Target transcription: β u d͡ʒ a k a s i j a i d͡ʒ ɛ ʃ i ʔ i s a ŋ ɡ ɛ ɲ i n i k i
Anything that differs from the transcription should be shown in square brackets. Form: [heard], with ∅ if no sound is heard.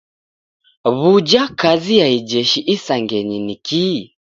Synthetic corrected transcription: β u d͡ʒ a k a [z] i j a i d͡ʒ ɛ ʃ i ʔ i s a ŋ ɡ ɛ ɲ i n i k i